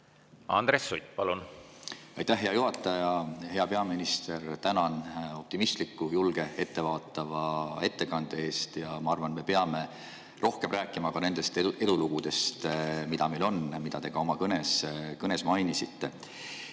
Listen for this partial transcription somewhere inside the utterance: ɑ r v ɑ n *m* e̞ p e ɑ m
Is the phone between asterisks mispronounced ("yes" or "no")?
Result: no